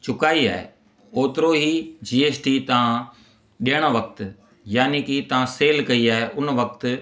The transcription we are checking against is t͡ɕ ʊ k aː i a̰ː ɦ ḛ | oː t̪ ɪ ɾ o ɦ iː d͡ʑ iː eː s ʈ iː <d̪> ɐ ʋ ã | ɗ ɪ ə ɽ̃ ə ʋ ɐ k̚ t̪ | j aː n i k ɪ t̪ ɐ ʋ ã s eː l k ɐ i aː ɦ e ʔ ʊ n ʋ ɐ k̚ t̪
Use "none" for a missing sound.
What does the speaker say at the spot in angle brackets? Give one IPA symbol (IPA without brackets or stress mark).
t̪